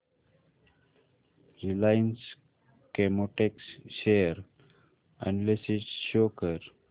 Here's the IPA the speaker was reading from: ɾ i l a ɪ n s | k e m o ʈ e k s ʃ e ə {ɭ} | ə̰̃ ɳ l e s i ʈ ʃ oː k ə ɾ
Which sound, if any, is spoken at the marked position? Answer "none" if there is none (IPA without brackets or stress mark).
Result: ɾ